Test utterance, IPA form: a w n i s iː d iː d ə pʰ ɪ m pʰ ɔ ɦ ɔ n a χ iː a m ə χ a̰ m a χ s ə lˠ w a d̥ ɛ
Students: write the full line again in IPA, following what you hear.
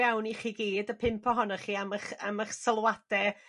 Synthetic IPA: a w n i χ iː ɡ iː d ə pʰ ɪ m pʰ ɔ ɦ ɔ n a χ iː a m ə χ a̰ m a χ s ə lˠ w a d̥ ɛ